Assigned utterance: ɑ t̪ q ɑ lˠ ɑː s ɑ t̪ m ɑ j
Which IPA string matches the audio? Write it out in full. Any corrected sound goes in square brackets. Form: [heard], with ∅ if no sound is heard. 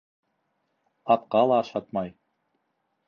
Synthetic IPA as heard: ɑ t̪ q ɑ lˠ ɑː [ʃ] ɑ t̪ m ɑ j